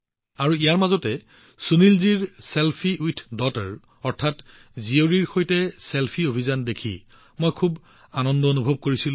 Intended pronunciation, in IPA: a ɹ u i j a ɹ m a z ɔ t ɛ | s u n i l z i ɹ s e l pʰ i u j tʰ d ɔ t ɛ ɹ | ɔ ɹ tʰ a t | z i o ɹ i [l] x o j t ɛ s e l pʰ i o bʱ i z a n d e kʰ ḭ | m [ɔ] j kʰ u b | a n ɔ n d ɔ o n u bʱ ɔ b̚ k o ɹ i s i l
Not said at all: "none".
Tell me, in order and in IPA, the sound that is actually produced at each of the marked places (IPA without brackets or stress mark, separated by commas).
ɹ, o